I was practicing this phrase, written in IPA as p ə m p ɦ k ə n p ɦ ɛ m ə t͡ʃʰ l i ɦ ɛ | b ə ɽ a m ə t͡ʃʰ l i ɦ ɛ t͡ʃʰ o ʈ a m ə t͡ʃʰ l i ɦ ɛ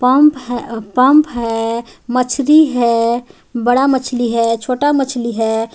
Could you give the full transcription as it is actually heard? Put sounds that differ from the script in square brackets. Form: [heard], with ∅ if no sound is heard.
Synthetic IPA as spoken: p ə m p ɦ [p] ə [m] p ɦ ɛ m ə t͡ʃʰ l i ɦ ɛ | b ə ɽ a m ə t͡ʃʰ l i ɦ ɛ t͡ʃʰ o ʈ a m ə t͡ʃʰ l i ɦ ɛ